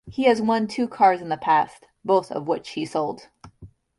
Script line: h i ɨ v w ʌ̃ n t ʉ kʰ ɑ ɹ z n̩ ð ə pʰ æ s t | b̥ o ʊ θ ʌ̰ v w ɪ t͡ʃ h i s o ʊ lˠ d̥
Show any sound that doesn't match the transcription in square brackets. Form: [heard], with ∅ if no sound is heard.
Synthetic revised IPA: h i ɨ [z] w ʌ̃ n [tʰ] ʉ kʰ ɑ ɹ z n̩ ð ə pʰ æ s t | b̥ o ʊ θ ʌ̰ v w ɪ t͡ʃ h i s o ʊ lˠ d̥